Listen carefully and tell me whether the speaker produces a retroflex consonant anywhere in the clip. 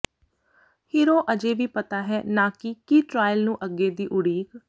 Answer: yes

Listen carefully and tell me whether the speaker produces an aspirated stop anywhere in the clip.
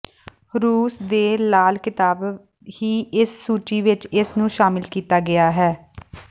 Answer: no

